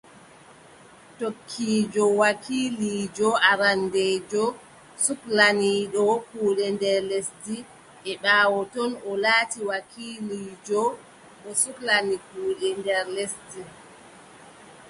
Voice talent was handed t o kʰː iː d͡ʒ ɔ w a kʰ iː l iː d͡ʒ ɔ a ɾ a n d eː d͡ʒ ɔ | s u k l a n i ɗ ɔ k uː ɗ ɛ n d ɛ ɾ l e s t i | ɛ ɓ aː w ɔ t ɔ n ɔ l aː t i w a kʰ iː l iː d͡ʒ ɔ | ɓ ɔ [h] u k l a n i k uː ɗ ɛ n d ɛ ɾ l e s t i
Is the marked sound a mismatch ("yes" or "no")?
yes